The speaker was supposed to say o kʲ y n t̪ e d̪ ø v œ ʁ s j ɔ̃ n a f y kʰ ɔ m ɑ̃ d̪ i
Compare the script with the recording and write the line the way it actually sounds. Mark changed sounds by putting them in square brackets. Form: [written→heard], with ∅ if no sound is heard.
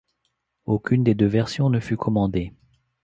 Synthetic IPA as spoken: o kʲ y n [t̪→d̪] e d̪ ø v [œ→ɛ] ʁ s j ɔ̃ n [a→ə] f y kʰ ɔ m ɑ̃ d̪ [i→e]